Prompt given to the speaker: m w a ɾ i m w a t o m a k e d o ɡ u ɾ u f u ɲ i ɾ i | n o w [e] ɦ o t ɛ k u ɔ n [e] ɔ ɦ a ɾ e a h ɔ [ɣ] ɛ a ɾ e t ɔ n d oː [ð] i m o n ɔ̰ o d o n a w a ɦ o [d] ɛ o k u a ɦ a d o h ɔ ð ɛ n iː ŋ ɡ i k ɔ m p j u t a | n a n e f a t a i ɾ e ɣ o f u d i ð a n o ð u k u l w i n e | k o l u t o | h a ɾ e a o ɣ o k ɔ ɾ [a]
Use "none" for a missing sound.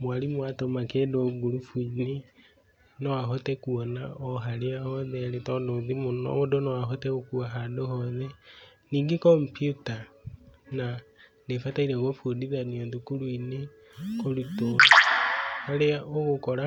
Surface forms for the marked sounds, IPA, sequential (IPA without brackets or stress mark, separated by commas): a, a, ð, ð, t, a